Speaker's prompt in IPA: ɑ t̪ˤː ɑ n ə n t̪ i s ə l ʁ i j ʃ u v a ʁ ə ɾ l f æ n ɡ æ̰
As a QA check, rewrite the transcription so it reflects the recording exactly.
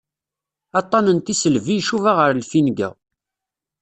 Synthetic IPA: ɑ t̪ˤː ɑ n ə n t̪ i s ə l v i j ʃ u v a ʁ ə ɾ l f i n ɡ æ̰